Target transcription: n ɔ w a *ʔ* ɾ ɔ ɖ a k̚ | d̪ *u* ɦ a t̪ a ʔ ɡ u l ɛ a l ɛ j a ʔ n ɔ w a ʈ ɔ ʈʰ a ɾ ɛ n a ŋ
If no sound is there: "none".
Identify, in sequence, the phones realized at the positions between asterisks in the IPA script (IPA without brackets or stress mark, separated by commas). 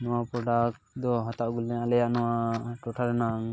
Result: p, ɔ